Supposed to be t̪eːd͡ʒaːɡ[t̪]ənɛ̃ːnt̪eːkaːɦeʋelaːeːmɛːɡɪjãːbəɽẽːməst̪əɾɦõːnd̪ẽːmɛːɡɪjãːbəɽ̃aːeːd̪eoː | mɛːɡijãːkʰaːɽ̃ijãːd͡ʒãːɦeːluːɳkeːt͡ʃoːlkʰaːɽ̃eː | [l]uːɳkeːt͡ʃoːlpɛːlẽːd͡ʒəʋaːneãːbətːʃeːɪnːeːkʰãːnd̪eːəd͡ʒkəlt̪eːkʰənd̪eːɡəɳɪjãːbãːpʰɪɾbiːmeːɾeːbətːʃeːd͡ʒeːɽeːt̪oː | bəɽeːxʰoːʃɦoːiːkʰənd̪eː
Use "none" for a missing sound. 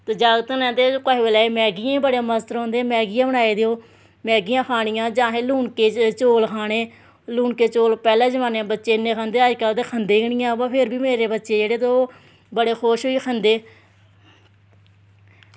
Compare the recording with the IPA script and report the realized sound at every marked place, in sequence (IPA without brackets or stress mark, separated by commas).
t̪, l